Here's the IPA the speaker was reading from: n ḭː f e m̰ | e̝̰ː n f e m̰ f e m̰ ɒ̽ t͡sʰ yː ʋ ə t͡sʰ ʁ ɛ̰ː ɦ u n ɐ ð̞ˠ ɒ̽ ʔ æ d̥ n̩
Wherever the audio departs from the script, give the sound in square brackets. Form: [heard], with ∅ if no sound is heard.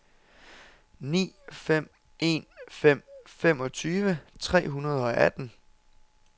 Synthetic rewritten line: n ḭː f e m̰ | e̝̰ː n f e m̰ f e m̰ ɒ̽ t͡sʰ yː ʋ ə t͡sʰ ʁ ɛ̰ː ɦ u n ɐ ð̞ˠ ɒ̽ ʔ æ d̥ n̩